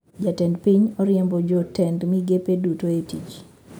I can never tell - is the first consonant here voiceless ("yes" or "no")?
no